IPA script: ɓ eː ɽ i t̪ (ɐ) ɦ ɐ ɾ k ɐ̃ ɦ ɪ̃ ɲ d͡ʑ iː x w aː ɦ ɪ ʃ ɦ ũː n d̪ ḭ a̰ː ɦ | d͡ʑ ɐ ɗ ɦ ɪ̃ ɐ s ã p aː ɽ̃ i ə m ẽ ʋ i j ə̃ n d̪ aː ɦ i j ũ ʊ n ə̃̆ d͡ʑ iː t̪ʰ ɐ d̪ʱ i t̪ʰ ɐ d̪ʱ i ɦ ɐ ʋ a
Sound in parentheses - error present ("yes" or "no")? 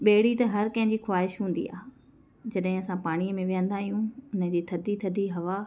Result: no